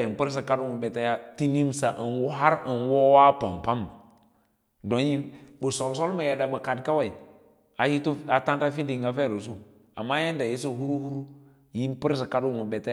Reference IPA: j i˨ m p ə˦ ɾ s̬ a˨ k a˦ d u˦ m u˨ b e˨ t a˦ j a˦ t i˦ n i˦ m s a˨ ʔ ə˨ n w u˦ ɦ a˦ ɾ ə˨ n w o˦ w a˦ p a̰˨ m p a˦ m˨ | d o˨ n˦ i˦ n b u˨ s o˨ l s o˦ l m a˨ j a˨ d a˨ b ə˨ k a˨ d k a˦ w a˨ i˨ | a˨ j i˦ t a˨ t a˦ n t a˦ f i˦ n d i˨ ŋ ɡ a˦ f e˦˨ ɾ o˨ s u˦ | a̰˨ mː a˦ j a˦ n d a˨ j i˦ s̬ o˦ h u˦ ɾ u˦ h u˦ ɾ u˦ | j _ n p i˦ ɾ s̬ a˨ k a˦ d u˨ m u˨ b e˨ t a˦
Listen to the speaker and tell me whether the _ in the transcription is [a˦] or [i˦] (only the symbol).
i˦